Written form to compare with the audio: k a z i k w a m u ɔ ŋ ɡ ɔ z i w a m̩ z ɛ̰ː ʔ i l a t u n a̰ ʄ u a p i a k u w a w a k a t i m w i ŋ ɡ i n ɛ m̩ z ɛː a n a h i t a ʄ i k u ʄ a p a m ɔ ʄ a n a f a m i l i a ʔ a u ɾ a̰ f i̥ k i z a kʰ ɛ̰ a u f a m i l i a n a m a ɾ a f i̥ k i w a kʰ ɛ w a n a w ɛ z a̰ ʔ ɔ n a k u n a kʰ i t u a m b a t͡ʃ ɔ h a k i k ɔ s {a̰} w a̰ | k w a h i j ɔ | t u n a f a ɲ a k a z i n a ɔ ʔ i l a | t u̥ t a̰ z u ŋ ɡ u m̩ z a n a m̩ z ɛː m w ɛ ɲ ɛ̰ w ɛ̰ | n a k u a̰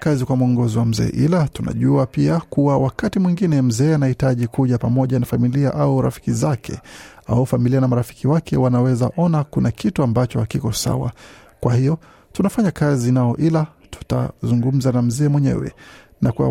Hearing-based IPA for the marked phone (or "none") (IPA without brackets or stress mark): a̰